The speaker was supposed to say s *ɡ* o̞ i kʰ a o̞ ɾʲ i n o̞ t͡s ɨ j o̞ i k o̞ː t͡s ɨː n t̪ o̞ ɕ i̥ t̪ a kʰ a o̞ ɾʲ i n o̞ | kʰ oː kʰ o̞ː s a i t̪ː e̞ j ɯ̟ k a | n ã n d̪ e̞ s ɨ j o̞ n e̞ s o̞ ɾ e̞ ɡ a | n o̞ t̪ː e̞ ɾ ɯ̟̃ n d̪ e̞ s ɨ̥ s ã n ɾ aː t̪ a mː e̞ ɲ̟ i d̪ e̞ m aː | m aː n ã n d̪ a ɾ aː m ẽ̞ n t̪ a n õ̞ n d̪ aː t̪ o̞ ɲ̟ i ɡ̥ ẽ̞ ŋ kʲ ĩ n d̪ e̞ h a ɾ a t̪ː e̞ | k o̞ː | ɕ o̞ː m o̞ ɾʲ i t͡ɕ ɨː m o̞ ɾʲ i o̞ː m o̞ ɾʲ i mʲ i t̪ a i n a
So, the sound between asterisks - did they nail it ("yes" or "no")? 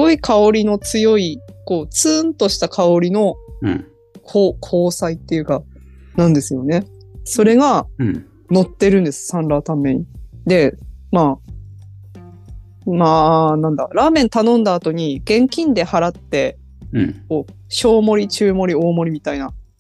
yes